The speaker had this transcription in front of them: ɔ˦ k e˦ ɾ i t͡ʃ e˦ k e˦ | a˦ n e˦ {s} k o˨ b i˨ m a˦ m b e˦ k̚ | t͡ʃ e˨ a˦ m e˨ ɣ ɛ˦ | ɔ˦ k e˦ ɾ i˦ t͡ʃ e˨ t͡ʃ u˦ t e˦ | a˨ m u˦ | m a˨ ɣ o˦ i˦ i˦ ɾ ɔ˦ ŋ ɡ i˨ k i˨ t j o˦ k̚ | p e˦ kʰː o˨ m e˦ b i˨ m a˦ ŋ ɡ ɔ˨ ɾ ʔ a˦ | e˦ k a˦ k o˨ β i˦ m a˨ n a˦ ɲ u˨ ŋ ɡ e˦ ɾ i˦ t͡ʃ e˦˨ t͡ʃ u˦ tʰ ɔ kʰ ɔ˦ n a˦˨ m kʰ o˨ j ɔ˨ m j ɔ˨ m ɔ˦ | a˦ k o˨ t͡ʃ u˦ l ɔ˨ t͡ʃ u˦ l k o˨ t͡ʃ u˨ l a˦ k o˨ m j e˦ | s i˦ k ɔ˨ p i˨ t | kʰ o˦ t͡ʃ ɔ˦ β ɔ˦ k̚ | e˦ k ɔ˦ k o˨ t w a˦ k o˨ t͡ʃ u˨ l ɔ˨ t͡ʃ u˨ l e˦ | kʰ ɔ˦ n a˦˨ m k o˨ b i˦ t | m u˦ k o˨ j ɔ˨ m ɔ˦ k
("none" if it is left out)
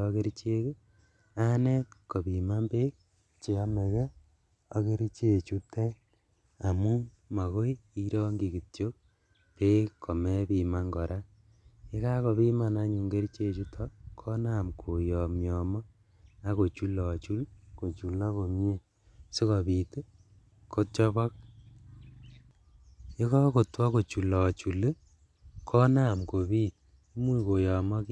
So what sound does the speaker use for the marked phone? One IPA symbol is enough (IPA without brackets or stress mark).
t